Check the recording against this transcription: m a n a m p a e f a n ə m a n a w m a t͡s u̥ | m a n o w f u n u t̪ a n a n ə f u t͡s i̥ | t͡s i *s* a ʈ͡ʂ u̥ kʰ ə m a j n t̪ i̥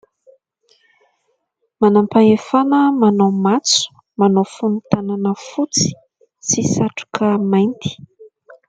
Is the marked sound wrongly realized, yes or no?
no